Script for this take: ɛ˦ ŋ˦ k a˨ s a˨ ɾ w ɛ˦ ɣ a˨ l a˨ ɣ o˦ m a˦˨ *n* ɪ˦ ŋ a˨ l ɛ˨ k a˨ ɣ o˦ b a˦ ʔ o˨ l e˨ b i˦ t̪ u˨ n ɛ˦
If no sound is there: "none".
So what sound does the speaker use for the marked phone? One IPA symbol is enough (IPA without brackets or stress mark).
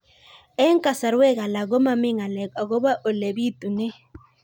m